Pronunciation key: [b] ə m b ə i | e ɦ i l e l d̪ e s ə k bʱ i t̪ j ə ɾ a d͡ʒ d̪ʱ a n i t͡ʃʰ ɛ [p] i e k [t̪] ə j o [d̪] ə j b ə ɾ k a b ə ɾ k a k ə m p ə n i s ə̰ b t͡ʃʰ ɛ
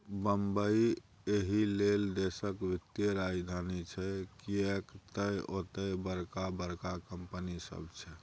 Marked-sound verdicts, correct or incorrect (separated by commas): correct, incorrect, correct, incorrect